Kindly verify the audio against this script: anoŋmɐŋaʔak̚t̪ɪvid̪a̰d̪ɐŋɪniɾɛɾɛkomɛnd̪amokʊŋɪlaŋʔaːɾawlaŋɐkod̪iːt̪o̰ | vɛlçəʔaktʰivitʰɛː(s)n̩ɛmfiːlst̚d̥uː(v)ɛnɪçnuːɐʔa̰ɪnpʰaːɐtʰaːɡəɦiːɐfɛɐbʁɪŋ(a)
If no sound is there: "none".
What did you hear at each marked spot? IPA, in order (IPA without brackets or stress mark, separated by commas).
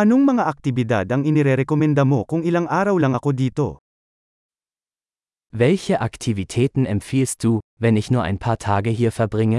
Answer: t, v, ə